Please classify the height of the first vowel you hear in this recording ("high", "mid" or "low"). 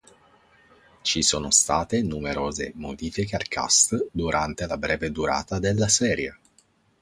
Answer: high